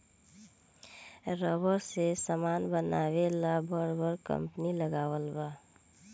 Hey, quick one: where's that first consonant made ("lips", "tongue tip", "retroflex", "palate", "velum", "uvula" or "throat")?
tongue tip